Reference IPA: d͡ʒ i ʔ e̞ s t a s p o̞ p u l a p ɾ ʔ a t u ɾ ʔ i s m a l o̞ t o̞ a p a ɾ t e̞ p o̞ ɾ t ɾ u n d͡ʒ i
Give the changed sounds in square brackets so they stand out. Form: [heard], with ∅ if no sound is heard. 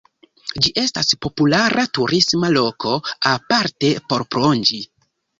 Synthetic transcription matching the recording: d͡ʒ i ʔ e̞ s t a s p o̞ p u l a [∅] ɾ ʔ a t u ɾ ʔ i s m a l o̞ [k] o̞ a p a ɾ t e̞ p o̞ ɾ [p] ɾ [o] n d͡ʒ i